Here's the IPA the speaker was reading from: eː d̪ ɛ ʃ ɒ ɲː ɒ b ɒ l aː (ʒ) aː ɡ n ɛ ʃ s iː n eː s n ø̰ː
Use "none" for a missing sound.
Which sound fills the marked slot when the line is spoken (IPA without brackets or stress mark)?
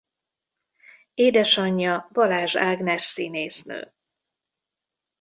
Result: ʒ